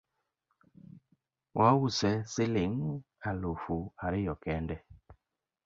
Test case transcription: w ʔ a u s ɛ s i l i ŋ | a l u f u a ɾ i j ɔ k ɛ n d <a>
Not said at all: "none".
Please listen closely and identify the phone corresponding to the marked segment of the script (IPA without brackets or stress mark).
ɛ